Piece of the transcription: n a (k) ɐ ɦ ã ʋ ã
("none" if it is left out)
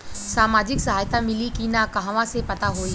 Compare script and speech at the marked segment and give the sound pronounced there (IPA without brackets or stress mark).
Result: k